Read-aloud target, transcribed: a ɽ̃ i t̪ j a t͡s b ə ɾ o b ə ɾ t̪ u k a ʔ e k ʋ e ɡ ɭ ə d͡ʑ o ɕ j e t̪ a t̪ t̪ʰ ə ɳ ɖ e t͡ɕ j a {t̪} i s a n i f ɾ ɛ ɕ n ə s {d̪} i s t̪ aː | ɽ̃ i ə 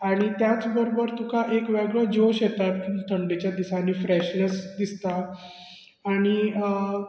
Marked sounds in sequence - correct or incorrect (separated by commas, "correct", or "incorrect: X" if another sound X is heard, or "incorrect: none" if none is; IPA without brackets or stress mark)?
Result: incorrect: d̪, correct